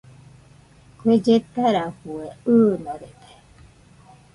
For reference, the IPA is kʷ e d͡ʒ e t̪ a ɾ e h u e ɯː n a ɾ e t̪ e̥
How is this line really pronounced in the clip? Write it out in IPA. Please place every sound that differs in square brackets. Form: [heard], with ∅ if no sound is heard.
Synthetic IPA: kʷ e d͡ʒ e t̪ a ɾ [a] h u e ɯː n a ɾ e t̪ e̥